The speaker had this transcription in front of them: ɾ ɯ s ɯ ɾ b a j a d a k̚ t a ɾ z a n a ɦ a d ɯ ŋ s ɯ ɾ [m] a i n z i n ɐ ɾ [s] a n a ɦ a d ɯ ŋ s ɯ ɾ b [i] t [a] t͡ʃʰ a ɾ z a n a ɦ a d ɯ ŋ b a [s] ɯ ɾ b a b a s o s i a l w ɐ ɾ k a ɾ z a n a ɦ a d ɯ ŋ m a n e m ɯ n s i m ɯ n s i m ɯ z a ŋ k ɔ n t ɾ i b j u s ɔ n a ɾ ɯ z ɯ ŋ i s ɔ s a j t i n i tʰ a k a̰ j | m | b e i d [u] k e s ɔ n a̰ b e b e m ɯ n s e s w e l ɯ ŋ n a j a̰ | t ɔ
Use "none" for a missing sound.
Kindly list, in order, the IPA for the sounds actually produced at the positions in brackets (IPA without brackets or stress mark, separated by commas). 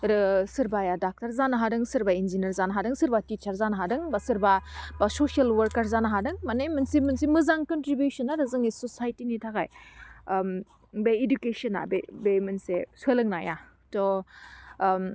b, z, a, i, s, u